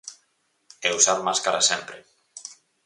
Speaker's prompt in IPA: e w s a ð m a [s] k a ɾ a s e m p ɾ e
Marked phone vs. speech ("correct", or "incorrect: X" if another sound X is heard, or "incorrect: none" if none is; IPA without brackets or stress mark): correct